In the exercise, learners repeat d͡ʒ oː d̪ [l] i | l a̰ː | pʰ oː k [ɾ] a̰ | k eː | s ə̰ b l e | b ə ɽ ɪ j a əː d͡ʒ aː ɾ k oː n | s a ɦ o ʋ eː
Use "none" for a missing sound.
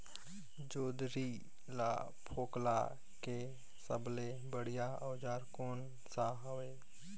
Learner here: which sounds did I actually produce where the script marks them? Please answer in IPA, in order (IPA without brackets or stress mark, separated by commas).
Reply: ɾ, l